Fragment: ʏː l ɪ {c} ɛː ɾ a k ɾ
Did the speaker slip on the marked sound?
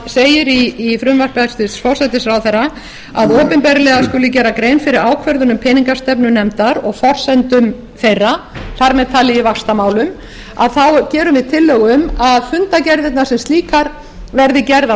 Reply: no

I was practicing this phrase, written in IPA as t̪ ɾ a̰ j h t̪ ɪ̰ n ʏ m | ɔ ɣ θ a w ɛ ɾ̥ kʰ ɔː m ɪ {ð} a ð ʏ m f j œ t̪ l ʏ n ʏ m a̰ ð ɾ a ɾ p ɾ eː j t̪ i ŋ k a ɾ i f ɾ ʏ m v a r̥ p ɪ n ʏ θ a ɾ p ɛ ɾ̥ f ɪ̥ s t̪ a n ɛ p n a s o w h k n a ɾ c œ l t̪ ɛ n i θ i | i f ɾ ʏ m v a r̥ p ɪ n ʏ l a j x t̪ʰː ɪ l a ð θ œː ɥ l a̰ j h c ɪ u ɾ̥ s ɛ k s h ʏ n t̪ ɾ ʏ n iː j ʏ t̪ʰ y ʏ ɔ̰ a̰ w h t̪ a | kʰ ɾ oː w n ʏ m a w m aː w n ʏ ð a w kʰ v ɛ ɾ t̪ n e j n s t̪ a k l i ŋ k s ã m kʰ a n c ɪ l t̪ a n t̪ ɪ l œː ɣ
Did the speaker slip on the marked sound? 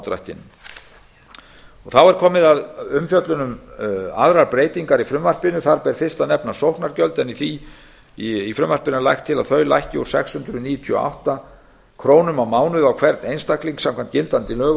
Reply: no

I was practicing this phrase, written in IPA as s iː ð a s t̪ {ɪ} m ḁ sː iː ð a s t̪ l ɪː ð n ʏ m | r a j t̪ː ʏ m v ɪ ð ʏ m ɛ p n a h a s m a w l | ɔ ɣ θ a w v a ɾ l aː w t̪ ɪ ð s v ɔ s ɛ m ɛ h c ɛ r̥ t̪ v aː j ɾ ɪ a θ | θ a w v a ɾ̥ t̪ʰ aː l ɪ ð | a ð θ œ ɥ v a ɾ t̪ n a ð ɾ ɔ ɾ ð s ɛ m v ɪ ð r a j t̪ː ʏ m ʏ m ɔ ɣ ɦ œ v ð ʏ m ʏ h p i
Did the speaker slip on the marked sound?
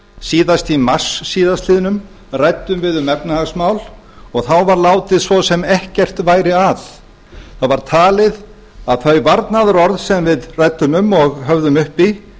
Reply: yes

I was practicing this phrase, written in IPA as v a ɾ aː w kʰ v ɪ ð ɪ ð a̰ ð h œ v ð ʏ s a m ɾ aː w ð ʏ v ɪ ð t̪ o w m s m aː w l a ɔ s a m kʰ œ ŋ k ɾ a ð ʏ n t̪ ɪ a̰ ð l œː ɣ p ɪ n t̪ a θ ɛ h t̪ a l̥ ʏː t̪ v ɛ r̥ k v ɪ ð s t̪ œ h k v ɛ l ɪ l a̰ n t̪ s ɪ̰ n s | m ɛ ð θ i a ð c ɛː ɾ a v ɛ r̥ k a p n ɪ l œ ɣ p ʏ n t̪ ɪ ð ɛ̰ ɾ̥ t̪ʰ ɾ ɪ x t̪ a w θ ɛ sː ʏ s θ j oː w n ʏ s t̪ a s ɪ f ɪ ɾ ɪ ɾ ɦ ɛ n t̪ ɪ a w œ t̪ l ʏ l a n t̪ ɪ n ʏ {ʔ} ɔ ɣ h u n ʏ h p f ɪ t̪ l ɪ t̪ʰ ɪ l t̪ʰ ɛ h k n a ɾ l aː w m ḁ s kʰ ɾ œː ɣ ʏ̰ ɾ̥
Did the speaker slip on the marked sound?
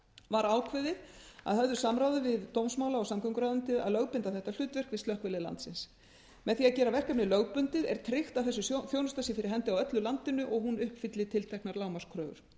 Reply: no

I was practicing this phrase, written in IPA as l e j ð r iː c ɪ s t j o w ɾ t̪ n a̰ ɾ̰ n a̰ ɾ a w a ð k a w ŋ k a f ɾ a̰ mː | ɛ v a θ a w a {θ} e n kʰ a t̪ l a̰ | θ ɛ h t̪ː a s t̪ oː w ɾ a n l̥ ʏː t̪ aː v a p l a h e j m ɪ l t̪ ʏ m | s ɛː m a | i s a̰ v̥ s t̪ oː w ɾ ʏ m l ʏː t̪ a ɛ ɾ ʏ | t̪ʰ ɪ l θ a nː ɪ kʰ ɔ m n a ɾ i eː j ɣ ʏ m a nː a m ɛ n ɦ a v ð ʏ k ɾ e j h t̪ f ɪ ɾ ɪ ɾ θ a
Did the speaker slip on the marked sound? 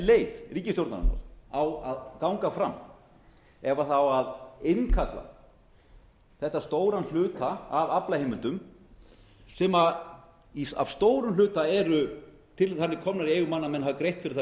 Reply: yes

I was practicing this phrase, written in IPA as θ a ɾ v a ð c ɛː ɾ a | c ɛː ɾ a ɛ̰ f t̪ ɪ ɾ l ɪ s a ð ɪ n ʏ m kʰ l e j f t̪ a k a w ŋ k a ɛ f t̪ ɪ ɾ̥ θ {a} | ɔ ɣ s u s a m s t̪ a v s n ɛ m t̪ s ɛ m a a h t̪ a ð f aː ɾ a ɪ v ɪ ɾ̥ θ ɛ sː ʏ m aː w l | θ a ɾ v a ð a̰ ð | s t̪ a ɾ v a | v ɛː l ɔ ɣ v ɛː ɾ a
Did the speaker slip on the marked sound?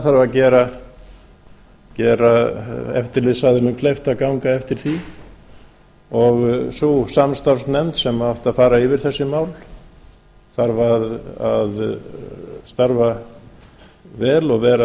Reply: yes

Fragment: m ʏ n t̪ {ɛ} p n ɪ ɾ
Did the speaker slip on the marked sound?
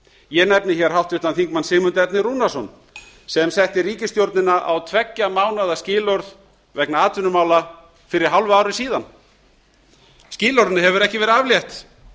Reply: no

